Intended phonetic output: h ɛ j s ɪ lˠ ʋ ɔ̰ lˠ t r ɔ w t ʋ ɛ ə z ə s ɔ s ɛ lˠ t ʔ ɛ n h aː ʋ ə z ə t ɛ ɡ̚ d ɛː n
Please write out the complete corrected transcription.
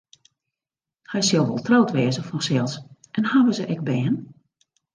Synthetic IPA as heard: h ɛ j s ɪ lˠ ʋ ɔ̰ lˠ t r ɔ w t ʋ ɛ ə z ə f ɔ s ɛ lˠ s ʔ ɛ n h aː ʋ ə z ə ʔ ɛ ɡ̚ b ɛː n

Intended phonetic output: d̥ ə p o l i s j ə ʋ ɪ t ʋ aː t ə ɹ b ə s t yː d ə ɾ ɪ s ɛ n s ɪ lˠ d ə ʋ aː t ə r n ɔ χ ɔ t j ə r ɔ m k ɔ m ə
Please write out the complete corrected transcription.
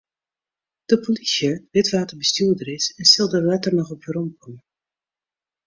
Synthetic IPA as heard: d̥ ə p o l i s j ə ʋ ɪ t ʋ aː t ə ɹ b ə s t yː d ə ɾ ɪ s ɛ n s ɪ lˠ d ə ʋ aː t ə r n ɔ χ ɔ p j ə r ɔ m k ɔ m ə

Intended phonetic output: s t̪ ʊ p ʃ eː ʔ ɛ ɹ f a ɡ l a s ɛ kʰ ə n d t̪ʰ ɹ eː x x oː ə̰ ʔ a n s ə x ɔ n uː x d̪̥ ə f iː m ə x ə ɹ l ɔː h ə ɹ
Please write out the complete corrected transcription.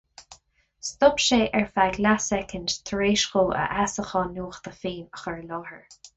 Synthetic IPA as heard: s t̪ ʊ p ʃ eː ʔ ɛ ɹ f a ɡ l a s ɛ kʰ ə n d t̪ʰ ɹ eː ʃ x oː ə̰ ʔ a s ə x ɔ n uː x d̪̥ ə f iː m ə x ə ɹ l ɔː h ə ɹ

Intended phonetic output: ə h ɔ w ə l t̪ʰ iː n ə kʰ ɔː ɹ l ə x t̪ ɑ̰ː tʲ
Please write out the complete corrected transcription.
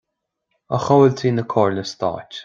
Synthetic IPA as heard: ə x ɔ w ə l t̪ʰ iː n ə kʰ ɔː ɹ l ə s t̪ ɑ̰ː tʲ

